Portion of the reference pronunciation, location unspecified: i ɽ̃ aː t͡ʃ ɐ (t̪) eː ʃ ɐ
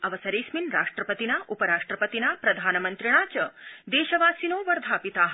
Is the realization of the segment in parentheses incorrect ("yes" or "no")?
yes